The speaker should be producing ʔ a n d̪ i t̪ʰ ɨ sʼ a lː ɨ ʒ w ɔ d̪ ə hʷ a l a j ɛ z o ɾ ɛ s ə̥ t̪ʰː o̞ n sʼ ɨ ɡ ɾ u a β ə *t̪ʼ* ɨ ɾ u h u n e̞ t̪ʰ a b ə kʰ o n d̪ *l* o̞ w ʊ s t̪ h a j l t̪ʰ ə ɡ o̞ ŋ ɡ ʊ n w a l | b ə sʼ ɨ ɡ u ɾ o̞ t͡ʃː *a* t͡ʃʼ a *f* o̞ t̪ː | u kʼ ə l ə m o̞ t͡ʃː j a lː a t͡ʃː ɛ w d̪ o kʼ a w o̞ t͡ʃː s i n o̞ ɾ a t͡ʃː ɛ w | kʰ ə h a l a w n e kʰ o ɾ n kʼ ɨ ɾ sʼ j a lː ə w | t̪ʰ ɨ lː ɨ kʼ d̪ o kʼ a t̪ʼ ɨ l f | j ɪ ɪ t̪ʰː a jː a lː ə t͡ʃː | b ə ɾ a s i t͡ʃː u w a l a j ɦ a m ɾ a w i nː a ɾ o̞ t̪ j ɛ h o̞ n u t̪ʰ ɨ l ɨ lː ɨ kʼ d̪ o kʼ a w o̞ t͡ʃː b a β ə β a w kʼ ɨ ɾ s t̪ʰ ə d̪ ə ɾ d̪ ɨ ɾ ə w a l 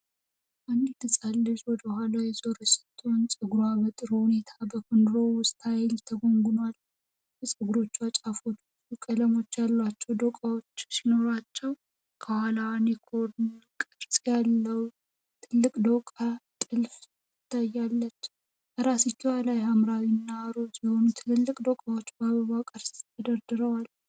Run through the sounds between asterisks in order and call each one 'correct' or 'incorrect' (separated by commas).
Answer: correct, incorrect, correct, correct